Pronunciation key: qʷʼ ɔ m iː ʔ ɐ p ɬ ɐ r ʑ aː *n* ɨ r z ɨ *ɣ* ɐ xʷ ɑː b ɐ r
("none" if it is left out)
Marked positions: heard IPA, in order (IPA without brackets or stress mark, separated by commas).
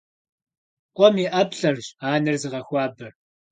n, ʁ